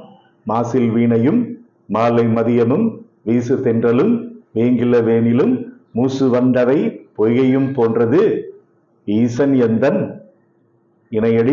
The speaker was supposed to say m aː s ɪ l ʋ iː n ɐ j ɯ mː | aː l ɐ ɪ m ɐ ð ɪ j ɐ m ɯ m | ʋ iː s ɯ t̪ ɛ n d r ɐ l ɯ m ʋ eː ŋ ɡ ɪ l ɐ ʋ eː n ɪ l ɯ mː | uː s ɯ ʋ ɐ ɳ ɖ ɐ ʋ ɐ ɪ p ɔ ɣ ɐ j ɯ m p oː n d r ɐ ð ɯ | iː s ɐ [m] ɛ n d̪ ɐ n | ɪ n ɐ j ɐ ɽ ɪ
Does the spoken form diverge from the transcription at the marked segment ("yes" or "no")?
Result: yes